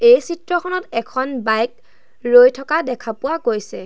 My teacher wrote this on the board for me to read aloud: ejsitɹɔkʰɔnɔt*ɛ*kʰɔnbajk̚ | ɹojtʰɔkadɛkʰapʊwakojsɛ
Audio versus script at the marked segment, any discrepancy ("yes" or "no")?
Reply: no